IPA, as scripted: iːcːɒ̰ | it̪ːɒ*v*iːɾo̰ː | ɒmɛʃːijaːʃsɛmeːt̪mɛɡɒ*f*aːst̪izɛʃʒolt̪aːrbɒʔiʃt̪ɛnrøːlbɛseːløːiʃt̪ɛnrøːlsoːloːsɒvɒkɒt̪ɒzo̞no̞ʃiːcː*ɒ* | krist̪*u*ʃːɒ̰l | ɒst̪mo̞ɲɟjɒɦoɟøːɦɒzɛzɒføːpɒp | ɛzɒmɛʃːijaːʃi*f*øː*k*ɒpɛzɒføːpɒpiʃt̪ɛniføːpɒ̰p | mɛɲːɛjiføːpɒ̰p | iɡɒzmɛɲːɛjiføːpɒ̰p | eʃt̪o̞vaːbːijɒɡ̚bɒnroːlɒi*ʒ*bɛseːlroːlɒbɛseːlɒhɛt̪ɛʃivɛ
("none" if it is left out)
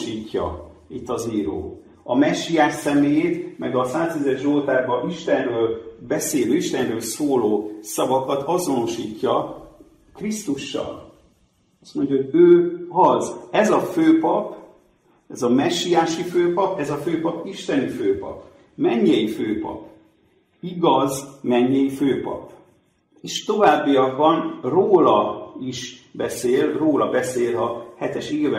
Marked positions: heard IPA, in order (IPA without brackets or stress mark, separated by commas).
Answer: z, s, ɒ, u, f, p, ʃ